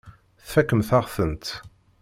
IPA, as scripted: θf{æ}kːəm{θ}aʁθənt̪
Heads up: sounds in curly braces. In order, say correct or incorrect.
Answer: correct, correct

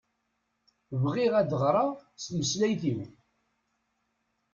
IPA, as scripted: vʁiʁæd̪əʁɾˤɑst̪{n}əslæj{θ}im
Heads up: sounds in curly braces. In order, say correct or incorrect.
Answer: incorrect, correct

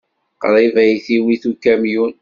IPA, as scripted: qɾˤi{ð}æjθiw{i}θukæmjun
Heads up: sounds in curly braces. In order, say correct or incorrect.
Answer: incorrect, correct

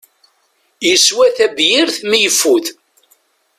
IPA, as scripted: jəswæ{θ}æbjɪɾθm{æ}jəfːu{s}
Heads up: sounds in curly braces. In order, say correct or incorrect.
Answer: correct, incorrect, incorrect

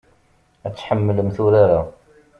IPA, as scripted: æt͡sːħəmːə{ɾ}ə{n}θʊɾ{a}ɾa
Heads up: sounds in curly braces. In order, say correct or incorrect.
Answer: incorrect, incorrect, correct

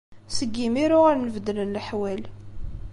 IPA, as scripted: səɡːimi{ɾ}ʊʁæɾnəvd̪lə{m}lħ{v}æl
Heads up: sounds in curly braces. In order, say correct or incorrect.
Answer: correct, incorrect, incorrect

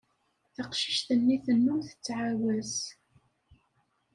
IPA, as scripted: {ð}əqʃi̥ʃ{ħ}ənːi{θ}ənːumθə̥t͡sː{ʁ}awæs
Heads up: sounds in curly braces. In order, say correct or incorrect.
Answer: incorrect, incorrect, correct, incorrect

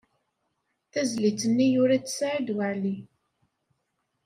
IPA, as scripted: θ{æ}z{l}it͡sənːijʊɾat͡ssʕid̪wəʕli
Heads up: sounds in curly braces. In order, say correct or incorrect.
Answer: correct, correct

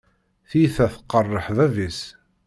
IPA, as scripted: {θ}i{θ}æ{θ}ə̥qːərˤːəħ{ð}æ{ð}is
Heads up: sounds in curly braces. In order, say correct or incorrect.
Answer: correct, correct, correct, correct, incorrect

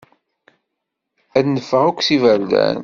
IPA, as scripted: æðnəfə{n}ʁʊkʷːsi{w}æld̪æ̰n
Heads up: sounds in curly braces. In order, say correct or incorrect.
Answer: incorrect, incorrect

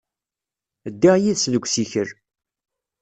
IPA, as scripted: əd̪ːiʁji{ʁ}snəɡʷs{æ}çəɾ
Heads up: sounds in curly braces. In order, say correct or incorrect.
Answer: incorrect, incorrect

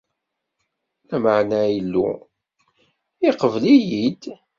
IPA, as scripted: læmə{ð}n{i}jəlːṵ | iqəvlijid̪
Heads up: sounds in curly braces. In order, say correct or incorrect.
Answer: incorrect, incorrect

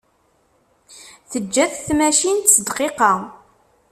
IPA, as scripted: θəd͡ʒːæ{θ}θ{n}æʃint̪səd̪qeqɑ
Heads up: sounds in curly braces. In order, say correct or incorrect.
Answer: correct, incorrect

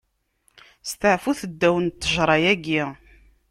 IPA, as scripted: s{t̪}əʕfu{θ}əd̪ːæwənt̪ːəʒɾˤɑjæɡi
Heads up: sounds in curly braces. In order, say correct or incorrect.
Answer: correct, correct

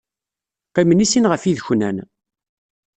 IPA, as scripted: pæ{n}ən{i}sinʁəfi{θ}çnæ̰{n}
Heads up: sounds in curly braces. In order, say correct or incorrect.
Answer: incorrect, correct, incorrect, correct

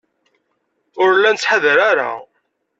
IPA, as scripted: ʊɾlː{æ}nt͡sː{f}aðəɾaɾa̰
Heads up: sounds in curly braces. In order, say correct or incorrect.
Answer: correct, incorrect

